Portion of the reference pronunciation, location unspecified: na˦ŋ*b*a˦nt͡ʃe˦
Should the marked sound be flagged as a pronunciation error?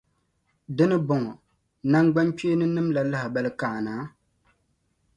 yes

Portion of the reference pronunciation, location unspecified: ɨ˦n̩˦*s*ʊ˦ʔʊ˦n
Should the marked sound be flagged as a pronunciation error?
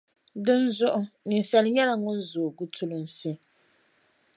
yes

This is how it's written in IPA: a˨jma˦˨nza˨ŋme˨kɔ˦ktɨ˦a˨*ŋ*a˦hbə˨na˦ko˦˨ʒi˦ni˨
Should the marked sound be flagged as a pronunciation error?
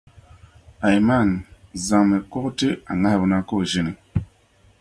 no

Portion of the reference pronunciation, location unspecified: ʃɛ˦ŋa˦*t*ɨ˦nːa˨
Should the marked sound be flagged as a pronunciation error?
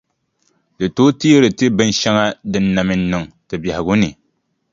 yes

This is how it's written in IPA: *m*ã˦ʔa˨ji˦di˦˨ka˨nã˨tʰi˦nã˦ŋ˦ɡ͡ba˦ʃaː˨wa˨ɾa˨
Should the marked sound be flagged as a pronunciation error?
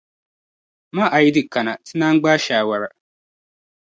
no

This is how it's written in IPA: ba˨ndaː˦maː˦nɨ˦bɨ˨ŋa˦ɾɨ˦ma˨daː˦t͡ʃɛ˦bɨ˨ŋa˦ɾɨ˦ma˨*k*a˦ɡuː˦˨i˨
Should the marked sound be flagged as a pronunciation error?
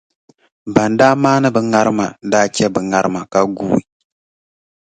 no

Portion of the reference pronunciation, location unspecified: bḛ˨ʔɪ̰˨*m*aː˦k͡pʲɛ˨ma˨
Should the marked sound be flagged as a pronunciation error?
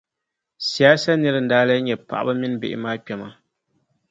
no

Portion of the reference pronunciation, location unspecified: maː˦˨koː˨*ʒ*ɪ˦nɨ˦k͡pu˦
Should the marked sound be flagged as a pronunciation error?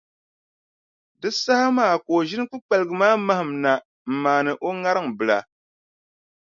no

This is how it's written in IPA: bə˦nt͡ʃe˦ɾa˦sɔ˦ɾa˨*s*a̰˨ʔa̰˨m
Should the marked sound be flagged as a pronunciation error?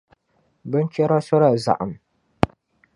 yes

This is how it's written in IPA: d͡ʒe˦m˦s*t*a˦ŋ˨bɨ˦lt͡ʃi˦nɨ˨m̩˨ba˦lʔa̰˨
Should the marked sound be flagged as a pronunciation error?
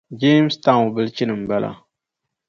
no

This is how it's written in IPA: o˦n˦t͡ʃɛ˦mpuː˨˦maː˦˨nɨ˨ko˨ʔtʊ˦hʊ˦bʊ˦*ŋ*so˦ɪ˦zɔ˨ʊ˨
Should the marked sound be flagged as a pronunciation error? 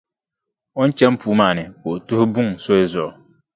no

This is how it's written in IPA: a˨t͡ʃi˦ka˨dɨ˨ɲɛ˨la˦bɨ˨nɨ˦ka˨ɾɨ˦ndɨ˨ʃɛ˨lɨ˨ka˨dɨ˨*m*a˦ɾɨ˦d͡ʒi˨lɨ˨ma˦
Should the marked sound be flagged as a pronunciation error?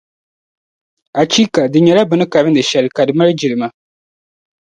no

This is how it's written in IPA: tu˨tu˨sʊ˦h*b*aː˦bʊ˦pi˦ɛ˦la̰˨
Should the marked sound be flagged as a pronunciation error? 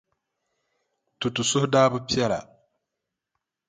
yes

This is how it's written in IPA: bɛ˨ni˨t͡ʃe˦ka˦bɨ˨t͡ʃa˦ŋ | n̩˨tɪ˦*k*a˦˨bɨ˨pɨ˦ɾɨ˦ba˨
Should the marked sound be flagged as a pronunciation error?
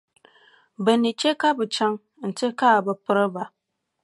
no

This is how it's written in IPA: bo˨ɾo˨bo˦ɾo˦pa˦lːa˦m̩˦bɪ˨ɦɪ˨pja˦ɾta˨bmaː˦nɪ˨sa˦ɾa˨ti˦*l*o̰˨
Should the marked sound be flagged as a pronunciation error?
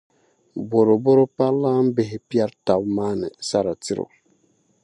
yes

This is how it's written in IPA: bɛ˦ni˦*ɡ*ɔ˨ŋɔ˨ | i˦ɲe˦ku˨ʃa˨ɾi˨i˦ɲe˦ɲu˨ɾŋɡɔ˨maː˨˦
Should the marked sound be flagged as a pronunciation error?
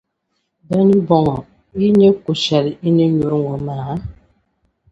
yes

